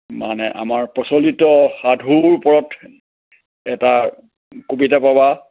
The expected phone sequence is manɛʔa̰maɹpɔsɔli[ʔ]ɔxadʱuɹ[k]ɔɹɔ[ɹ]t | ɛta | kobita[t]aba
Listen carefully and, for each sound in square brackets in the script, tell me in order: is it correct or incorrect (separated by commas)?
incorrect, incorrect, incorrect, incorrect